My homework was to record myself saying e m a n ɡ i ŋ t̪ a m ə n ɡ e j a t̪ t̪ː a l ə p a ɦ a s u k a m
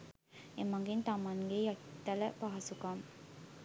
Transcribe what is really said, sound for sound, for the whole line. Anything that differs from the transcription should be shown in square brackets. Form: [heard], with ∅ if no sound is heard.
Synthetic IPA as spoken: e m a [ŋ] ɡ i [n] t̪ a m [a] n ɡ e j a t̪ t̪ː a l ə p a ɦ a s u k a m